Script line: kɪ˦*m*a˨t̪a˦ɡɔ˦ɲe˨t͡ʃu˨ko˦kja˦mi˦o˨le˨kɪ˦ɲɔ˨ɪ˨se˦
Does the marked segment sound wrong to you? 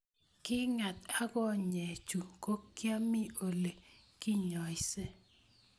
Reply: yes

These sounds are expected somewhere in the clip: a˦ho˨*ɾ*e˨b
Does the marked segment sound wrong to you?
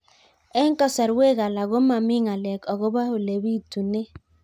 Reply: yes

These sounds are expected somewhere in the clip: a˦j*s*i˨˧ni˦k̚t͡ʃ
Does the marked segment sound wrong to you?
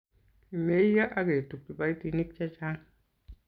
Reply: yes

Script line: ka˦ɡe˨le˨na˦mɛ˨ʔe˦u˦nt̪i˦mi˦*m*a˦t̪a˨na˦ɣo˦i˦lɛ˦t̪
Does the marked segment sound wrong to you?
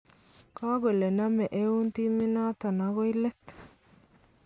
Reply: yes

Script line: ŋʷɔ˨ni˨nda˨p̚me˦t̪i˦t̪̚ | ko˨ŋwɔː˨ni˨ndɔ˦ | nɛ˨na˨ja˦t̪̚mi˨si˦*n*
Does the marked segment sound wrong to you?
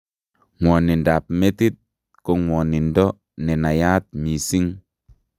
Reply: yes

